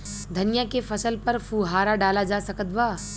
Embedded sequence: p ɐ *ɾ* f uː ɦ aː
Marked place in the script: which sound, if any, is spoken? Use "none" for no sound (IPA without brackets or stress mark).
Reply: ɾ